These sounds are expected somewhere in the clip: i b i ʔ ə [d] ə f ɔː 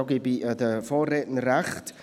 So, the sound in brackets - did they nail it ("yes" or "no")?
yes